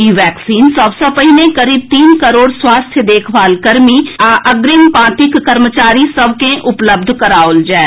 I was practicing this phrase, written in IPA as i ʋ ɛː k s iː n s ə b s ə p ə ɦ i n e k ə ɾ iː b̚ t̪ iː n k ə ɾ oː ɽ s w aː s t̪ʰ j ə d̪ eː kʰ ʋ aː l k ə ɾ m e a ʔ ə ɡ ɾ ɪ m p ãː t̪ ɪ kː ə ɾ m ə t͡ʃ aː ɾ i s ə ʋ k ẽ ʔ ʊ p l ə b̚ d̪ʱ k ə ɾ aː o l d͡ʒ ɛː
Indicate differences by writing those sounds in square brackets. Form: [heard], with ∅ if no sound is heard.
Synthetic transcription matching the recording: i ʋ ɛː k s iː n s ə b s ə p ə ɦ i n e k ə ɾ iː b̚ t̪ iː n k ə ɾ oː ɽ s w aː s t̪ʰ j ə d̪ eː kʰ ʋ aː l k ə ɾ m [i] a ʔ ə ɡ ɾ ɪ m p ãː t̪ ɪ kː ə ɾ m ə t͡ʃ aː ɾ i s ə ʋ k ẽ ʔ ʊ p l ə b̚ d̪ʱ k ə ɾ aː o l d͡ʒ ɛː